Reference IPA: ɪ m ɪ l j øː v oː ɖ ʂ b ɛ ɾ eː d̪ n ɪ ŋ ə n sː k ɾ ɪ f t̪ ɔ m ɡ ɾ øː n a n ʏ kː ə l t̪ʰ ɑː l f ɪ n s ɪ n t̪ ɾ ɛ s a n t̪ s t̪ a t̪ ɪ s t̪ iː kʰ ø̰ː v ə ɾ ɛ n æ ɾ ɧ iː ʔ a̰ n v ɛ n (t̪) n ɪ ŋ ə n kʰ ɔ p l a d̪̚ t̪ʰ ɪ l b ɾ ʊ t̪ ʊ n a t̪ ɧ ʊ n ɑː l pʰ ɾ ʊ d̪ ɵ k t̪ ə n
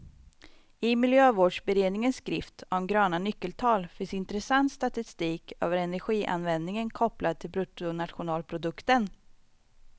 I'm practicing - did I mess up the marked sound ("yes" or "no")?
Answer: yes